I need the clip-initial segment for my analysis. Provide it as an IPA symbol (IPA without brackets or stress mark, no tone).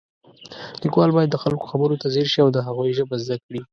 l